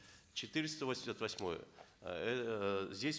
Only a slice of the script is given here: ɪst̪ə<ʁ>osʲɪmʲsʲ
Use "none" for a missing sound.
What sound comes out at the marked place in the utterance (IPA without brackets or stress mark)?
v